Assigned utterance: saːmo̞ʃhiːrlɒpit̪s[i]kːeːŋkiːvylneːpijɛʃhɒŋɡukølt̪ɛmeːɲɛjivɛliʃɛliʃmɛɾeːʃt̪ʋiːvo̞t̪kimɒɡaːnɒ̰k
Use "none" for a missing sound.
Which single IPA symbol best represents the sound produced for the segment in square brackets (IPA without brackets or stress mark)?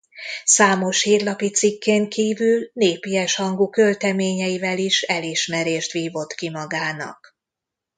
i